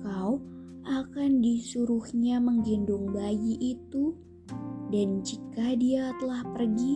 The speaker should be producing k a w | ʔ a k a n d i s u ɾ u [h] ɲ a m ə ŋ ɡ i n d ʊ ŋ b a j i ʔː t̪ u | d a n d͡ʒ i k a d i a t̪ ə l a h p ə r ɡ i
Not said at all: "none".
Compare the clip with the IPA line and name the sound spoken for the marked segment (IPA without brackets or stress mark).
h